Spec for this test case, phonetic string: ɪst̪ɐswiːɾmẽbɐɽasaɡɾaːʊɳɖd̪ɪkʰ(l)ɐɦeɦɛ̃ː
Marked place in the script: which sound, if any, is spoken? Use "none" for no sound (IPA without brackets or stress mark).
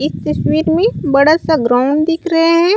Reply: ɾ